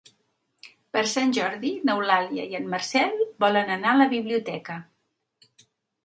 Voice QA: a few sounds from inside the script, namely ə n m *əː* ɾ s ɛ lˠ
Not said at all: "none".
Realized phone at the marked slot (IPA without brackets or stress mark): ə